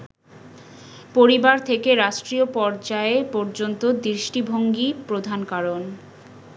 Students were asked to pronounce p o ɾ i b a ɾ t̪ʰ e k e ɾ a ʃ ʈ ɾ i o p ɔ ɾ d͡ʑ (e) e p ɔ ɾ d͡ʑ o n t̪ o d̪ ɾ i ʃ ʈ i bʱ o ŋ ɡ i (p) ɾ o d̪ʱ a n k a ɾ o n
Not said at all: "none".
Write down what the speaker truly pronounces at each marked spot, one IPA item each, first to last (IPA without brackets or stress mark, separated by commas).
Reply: a, p